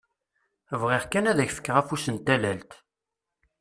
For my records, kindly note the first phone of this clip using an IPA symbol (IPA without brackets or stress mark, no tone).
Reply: v